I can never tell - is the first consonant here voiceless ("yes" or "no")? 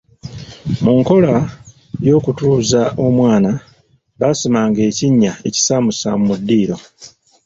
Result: no